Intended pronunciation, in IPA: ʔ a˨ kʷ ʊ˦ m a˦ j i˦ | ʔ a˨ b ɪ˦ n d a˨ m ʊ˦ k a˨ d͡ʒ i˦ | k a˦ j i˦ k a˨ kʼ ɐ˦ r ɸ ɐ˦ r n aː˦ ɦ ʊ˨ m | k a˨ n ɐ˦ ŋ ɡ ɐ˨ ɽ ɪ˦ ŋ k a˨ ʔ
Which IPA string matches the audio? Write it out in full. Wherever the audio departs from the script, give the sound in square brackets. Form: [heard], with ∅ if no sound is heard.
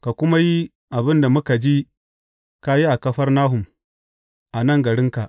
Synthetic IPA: [k] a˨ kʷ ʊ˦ m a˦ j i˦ | ʔ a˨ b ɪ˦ n d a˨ m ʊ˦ k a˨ d͡ʒ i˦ | k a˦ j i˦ [ʔ] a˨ [k] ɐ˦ [∅] ɸ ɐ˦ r n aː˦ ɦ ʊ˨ m | [ʔ] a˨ n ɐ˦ ŋ ɡ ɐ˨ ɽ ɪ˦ ŋ k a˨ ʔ